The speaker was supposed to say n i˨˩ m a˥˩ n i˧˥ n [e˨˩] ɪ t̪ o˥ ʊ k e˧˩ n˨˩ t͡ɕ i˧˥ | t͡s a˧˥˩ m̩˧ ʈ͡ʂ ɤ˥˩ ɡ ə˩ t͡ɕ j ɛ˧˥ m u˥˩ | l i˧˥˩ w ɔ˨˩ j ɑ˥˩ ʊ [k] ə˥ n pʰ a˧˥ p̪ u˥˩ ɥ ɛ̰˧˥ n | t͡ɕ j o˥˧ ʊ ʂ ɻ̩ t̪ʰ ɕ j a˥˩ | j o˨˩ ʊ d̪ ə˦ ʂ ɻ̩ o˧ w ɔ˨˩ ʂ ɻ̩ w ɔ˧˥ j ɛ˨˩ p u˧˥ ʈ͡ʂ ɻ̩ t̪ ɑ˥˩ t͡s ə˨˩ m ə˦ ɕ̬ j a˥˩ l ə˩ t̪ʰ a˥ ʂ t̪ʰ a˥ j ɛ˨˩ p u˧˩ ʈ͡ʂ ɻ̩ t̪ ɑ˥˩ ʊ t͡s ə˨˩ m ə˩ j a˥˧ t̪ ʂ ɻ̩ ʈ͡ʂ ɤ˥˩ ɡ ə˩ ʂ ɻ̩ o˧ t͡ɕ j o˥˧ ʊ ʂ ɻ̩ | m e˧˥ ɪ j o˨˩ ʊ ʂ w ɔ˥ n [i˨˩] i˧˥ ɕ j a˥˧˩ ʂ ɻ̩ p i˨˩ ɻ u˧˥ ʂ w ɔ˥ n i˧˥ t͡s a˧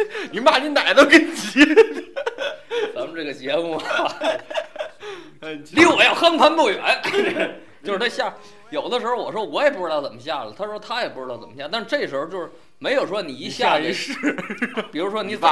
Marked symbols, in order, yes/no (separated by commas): no, no, yes